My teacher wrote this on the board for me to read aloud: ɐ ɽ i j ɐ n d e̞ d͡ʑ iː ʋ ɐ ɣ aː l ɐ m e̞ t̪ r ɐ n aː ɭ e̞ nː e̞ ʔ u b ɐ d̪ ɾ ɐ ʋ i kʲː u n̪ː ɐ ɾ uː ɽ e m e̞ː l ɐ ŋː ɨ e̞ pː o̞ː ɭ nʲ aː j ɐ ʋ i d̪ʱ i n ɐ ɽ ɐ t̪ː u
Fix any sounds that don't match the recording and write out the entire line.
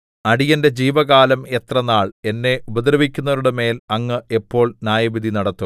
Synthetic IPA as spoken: ɐ ɽ i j ɐ n d e̞ d͡ʑ iː ʋ ɐ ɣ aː l ɐ m e̞ t̪ r ɐ n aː ɭ e̞ nː e̞ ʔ u b ɐ d̪ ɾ ɐ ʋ i kʲː u n̪ː ɐ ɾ u ɽ e m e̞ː l ɐ ŋː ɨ e̞ pː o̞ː ɭ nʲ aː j ɐ ʋ i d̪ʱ i n ɐ ɽ ɐ t̪ː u